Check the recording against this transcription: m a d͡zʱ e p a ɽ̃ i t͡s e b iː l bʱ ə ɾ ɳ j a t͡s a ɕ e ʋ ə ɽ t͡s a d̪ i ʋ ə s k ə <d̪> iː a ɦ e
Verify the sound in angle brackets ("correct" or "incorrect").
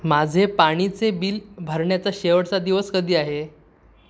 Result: correct